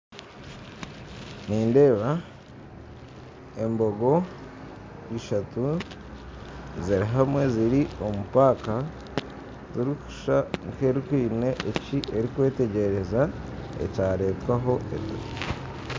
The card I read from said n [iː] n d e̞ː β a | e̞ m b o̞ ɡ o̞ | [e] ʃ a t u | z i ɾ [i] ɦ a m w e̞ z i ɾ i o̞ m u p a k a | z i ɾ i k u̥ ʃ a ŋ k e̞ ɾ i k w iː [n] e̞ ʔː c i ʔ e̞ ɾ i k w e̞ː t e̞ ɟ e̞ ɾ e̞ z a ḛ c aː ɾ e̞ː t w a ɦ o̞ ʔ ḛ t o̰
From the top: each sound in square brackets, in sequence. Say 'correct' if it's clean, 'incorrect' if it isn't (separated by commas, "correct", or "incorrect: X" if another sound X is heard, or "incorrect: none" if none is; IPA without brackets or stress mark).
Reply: correct, incorrect: i, correct, correct